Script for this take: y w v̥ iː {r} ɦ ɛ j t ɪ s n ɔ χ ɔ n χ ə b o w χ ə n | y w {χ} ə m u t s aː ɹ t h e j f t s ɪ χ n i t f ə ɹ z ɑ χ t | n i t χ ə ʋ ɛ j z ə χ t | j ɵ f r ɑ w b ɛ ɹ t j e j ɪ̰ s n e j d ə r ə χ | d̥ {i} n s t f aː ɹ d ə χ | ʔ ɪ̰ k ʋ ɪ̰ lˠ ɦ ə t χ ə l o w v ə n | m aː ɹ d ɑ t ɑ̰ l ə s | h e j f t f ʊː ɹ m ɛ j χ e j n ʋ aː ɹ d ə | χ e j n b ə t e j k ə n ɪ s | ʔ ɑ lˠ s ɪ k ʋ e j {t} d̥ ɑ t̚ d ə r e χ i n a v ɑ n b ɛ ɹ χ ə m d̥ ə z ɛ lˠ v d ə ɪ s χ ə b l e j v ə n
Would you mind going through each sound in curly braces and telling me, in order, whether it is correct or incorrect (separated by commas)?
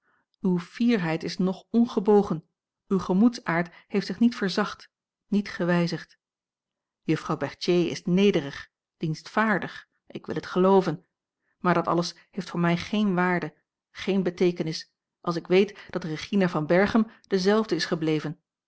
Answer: incorrect, correct, correct, correct